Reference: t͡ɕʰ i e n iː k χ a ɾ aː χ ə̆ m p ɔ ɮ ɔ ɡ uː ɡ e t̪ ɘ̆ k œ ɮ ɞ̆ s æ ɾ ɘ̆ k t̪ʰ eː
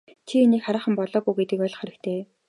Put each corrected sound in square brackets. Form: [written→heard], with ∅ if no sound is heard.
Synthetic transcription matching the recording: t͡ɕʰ i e n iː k χ a ɾ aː χ ə̆ m p ɔ ɮ [ɔ→ɔː] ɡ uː ɡ e t̪ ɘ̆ k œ ɮ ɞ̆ [s→χ] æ ɾ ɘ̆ k t̪ʰ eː